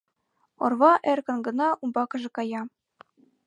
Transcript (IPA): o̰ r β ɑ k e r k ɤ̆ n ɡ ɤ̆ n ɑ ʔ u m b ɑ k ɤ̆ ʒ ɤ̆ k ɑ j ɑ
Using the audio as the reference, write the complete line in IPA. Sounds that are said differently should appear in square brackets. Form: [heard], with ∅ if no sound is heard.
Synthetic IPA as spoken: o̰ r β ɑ [ʔ] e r k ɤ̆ n ɡ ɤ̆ n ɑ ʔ u m b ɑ k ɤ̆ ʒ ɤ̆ k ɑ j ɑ